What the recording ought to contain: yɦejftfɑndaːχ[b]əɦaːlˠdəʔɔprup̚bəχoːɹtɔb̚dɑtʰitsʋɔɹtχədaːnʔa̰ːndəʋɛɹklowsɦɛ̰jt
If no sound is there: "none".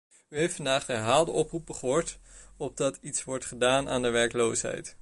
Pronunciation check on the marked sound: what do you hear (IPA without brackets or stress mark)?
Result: d